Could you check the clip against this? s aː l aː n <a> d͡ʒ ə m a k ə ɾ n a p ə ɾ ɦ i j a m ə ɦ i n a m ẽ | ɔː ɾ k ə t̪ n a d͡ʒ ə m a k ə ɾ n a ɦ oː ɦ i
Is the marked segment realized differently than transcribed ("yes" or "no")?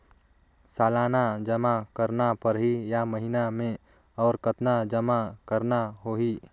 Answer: no